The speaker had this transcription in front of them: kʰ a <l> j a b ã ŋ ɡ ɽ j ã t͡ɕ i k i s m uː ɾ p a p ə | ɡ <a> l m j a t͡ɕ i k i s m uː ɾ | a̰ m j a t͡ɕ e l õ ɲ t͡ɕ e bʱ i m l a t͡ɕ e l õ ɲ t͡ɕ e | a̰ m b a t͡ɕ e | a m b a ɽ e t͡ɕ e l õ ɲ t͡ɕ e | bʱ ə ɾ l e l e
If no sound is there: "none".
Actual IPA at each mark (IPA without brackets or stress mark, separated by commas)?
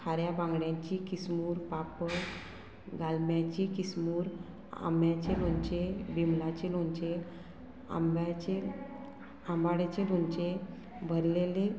ɾ, a